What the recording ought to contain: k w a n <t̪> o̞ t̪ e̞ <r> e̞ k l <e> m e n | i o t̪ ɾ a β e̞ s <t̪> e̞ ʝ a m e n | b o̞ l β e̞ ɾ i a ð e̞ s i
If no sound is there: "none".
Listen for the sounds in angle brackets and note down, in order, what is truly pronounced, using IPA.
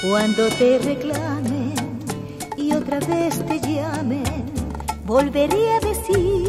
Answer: d̪, r, a, t̪

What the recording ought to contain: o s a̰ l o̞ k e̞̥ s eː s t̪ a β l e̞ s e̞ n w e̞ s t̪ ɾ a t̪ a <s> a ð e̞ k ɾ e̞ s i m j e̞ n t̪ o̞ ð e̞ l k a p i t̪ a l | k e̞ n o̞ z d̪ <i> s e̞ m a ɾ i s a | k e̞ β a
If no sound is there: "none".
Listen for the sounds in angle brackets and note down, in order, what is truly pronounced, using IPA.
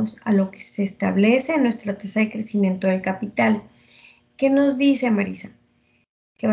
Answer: s, i

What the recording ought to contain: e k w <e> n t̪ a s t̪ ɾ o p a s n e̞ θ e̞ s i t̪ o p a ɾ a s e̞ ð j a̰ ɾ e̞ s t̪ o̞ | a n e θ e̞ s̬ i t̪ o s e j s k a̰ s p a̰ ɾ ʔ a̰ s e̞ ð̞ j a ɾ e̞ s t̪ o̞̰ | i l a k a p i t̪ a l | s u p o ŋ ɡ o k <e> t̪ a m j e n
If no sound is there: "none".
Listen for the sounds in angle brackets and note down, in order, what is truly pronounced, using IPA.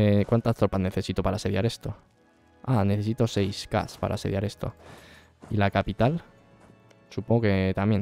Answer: a, e

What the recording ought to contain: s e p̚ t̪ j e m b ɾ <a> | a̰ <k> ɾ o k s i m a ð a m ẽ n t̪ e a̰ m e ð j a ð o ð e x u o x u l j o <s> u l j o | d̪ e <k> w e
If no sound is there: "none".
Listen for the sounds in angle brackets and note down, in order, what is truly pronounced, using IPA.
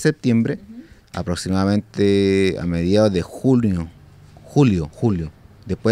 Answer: e, p, x, p

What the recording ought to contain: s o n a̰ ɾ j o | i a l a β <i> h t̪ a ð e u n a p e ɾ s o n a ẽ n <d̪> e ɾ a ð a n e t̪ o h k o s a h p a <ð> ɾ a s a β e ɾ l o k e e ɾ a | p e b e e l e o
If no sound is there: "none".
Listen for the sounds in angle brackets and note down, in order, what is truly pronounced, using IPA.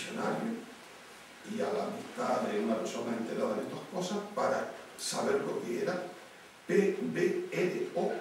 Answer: i, t̪, none

